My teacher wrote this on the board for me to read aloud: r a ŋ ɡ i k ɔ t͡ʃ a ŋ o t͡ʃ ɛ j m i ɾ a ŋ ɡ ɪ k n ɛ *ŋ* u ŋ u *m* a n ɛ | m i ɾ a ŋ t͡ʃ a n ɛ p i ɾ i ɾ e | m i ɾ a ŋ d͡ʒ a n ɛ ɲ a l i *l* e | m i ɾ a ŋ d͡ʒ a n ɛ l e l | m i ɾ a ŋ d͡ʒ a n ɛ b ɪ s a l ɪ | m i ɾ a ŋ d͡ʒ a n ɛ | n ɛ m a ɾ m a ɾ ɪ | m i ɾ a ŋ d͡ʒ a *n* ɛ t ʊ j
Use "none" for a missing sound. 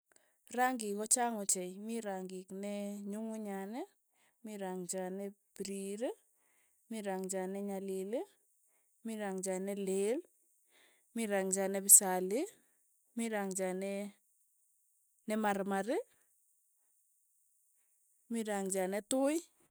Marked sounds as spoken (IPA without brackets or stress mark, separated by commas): ɲ, ɲ, l, n